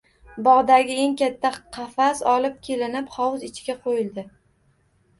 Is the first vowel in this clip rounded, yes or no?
yes